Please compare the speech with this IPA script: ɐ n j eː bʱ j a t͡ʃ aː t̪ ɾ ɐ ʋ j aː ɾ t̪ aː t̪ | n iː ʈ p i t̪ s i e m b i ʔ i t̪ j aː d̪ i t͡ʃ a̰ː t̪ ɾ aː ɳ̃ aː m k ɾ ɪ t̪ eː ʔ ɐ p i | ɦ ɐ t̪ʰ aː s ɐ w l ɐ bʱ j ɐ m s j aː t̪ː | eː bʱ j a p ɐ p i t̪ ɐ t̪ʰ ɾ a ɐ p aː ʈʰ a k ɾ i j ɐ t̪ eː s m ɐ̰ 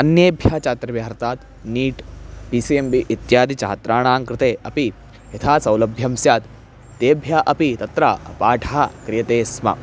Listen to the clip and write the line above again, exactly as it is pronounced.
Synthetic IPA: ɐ n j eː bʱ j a t͡ʃ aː t̪ ɾ ɐ ʋ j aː ɾ t̪ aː t̪ | n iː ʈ p i s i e m b i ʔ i t̪ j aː d̪ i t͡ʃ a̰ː t̪ ɾ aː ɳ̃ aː ŋ k ɾ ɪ t̪ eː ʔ ɐ p i | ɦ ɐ t̪ʰ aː s ɐ w l ɐ bʱ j ɐ m s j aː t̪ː | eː bʱ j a ʔ ɐ p i t̪ ɐ t̪ ɾ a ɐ p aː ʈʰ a k ɾ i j ɐ t̪ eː s m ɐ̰

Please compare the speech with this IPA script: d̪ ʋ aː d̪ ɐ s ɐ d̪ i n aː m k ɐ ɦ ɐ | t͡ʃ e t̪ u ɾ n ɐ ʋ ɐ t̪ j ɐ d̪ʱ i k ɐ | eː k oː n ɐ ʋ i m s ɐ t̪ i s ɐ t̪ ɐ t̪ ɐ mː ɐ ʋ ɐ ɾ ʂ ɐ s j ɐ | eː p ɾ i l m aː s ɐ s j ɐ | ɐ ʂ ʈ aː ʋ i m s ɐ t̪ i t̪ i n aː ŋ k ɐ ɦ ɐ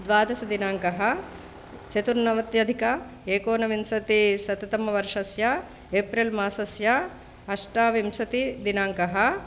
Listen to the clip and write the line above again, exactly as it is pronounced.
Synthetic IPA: d̪ ʋ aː d̪ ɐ s ɐ d̪ i n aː ŋ k ɐ ɦ ɐ | t͡ʃ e t̪ u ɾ n ɐ ʋ ɐ t̪ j ɐ d̪ʱ i k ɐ | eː k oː n ɐ ʋ i m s ɐ t̪ i s ɐ t̪ ɐ t̪ ɐ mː ɐ ʋ ɐ ɾ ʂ ɐ s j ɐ | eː p ɾ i l m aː s ɐ s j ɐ | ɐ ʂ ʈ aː ʋ i m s ɐ t̪ i d̪ i n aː ŋ k ɐ ɦ ɐ

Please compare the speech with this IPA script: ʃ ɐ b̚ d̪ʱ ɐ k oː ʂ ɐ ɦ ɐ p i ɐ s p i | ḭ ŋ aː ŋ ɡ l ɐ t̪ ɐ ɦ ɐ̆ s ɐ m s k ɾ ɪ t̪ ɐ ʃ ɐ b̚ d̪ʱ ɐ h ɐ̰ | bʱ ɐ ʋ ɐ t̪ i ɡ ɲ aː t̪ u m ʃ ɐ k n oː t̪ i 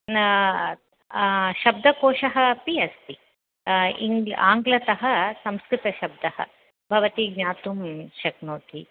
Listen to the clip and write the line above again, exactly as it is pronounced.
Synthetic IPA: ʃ ɐ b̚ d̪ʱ ɐ k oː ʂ ɐ ɦ ɐ p i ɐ s p i | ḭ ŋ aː ŋ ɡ l ɐ t̪ ɐ ɦ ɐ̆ s ɐ m s k ɾ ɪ t̪ ɐ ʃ ɐ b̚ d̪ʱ ɐ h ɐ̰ | bʱ ɐ ʋ ɐ t̪ i ɡ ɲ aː t̪ u m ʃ ɐ k n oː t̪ i

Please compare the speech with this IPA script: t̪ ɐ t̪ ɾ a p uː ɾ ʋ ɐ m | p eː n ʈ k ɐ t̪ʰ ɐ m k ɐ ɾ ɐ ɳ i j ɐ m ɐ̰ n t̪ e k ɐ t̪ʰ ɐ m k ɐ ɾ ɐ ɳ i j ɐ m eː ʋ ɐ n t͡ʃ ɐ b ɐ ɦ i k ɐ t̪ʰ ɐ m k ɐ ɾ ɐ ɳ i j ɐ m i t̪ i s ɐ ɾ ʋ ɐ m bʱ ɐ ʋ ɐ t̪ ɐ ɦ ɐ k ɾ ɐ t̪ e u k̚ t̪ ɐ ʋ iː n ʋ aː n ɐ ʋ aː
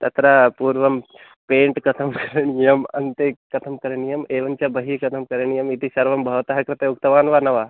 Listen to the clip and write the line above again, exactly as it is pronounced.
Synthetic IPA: t̪ ɐ t̪ ɾ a p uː ɾ ʋ ɐ m | p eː ɳ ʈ k ɐ t̪ʰ ɐ m k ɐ ɾ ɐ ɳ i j ɐ m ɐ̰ n t̪ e k ɐ t̪ʰ ɐ m k ɐ ɾ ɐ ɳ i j ɐ m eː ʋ ɐ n t͡ʃ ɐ b ɐ ɦ i k ɐ t̪ʰ ɐ m k ɐ ɾ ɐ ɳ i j ɐ m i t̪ i s ɐ ɾ ʋ ɐ m bʱ ɐ ʋ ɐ t̪ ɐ ɦ ɐ k ɾ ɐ t̪ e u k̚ t̪ ɐ ʋ aː n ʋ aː n ɐ ʋ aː

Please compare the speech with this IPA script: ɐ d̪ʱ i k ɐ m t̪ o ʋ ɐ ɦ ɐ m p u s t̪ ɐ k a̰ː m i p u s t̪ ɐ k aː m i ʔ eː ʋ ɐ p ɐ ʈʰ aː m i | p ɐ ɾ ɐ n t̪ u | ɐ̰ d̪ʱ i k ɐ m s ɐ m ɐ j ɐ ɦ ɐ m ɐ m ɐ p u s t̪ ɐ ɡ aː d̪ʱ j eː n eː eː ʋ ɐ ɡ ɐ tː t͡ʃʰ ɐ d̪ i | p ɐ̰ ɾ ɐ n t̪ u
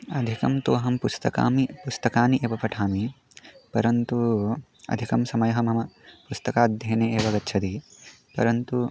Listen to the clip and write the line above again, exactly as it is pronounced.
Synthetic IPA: ɐ d̪ʱ i k ɐ m t̪ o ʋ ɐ ɦ ɐ m p u s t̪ ɐ k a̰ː m i p u s t̪ ɐ k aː n i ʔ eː ʋ ɐ p ɐ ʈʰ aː m i | p ɐ ɾ ɐ n t̪ u | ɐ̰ d̪ʱ i k ɐ m s ɐ m ɐ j ɐ ɦ ɐ m ɐ m ɐ p u s t̪ ɐ k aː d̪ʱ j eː n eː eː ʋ ɐ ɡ ɐ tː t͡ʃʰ ɐ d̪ i | p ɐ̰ ɾ ɐ n t̪ u

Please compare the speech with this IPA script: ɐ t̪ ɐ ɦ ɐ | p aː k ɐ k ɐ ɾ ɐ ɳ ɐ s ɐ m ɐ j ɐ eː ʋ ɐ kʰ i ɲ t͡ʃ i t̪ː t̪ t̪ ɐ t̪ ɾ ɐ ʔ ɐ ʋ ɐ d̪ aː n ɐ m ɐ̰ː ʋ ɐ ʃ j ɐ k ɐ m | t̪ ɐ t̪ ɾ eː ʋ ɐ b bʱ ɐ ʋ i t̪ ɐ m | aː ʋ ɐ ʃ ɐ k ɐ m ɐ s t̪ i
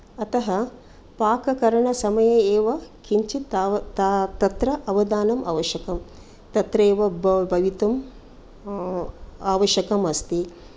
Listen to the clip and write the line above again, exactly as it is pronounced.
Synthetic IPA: ɐ t̪ ɐ ɦ ɐ | p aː k ɐ k ɐ ɾ ɐ ɳ ɐ s ɐ m ɐ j ɐ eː ʋ ɐ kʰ i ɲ t͡ʃ i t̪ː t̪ t̪ ɐ t̪ ɾ ɐ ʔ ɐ ʋ ɐ d̪ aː n ɐ m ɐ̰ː ʋ ɐ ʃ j ɐ k ɐ m | t̪ ɐ t̪ ɾ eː ʋ ɐ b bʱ ɐ ʋ i t̪ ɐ m | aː ʋ ɐ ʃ ɐ k ɐ m ɐ s t̪ i

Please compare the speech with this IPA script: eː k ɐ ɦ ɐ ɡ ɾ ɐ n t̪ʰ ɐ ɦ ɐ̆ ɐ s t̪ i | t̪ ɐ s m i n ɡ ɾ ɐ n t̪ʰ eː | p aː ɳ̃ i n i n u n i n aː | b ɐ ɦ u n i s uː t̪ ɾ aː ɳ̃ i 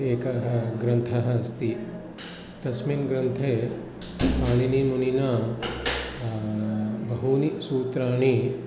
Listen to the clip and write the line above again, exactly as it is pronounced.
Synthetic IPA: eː k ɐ ɦ ɐ ɡ ɾ ɐ n t̪ʰ ɐ ɦ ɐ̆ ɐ s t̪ i | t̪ ɐ s m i n ɡ ɾ ɐ n t̪ʰ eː | p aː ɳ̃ i n i m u n i n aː | b ɐ ɦ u n i s uː t̪ ɾ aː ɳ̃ i

